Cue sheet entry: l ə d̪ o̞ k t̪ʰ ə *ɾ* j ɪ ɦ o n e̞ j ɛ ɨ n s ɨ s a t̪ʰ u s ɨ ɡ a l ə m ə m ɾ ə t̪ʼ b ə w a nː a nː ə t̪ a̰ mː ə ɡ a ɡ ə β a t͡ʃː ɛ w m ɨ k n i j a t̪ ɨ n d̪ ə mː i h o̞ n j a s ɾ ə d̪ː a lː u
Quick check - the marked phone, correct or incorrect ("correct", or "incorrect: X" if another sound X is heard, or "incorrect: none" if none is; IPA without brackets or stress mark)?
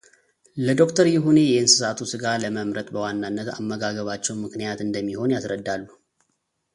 correct